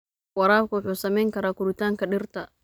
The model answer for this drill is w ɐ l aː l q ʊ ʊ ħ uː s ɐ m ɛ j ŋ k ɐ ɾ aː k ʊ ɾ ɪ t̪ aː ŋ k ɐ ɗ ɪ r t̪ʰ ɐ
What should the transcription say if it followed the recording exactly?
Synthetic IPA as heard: w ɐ ɾ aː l k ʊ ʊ ħ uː s ɐ m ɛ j ŋ k ɐ ɾ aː k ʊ ɾ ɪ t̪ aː ŋ k ɐ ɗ ɪ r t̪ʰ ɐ

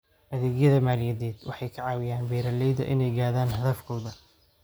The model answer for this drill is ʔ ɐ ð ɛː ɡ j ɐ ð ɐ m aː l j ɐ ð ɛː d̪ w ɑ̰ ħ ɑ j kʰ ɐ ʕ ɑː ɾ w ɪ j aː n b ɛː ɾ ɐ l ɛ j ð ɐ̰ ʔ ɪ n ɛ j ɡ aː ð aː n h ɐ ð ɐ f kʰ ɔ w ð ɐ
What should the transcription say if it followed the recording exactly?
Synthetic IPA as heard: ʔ ɐ ð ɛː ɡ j ɐ ð ɐ m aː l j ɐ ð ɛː d̪ w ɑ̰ ħ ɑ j kʰ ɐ ʕ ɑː w ɪ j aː n b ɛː ɾ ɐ l ɛ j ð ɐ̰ ʔ ɪ n ɛ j ɡ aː ð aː n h ɐ ð ɐ f kʰ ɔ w ð ɐ

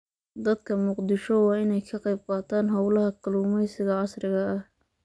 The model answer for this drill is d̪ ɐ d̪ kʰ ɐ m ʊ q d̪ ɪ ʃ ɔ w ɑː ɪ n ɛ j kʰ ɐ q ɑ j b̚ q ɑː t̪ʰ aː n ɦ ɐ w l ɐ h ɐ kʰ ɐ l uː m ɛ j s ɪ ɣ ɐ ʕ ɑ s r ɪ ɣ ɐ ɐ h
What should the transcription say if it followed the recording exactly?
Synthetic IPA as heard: d̪ ɐ d̪ kʰ ɐ m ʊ q d̪ ɪ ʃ ɔ w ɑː ɪ n ɛ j kʰ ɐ q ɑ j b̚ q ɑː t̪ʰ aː n ɦ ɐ w l ɐ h ɐ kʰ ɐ l uː m ɛ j s ɪ ɣ ɐ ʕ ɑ s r ɪ ɣ ɐ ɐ h

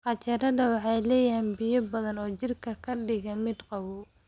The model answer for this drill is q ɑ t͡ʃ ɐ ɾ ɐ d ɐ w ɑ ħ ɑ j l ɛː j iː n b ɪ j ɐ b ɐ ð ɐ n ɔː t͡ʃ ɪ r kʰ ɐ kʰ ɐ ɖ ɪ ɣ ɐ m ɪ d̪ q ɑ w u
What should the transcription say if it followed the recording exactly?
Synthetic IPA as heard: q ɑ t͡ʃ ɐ ɾ ɐ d ɐ w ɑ ħ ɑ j l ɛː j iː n b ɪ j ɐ b ɐ ð ɐ n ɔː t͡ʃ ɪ r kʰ ɐ kʰ ɐ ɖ ɪ ɣ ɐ m ɪ d̪ q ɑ w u

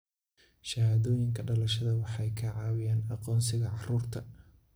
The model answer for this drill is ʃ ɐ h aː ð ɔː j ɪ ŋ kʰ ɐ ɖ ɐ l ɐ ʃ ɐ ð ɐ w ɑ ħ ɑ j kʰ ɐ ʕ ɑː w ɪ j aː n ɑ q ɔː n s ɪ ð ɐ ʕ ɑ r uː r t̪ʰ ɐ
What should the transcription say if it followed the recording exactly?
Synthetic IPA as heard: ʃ ɐ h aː ð ɔː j ɪ ŋ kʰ ɐ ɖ ɐ l ɐ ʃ ɐ ð ɐ w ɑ ħ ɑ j kʰ ɐ ʕ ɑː w ɪ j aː n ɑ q ɔː n s ɪ ɣ ɐ ʕ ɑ r uː r t̪ʰ ɐ

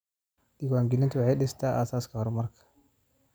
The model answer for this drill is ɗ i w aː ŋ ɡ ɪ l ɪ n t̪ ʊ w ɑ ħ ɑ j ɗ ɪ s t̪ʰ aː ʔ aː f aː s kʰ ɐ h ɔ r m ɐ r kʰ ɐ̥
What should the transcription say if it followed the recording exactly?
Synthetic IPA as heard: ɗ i w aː ŋ ɡ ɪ l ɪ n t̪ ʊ w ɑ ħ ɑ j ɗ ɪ s t̪ʰ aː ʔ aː s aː s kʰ ɐ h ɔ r m ɐ r kʰ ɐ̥

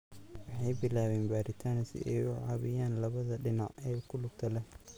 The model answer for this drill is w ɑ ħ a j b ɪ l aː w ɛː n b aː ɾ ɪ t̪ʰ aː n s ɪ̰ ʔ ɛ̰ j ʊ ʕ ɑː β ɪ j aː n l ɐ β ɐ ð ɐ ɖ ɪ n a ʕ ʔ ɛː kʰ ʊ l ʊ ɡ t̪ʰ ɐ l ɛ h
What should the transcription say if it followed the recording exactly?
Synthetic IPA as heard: w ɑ ħ ɑ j b ɪ l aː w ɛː n b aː ɾ ɪ t̪ʰ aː n s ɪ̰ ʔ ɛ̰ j ʊ ʕ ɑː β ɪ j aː n l ɐ β ɐ ð ɐ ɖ ɪ n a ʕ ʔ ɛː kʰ ʊ l ʊ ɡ t̪ʰ ɐ l ɛ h

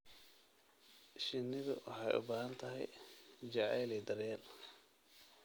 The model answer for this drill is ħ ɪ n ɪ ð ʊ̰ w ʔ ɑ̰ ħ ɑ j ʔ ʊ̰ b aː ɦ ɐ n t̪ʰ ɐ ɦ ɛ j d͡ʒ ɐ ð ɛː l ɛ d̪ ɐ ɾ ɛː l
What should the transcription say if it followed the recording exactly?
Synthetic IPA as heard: ʃ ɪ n ɪ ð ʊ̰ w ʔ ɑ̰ ħ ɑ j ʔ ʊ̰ b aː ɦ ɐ n t̪ʰ ɐ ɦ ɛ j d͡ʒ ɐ ʕ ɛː l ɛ d̪ ɐ ɾ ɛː l

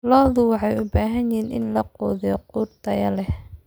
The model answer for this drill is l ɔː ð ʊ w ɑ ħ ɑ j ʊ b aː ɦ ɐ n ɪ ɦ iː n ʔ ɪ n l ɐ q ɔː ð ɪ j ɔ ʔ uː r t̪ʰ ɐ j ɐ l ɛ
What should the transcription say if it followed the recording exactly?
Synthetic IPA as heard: l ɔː ð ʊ w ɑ ħ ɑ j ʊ b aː ɦ ɐ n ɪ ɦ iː n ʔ ɪ n l ɐ q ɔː ð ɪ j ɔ q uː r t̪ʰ ɐ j ɐ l ɛ

